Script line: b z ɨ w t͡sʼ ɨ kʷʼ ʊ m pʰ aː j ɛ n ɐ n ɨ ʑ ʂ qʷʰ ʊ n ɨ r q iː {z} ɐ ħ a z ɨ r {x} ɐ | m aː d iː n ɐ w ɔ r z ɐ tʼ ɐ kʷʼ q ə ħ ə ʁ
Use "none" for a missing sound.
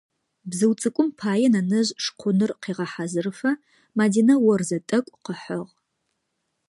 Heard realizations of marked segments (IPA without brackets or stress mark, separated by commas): ʁ, f